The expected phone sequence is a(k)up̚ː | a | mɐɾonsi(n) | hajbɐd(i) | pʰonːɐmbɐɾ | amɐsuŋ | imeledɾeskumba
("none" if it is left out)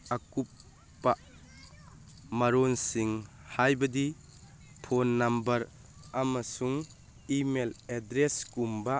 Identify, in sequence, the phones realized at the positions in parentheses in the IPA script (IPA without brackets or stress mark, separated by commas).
k, ŋ, i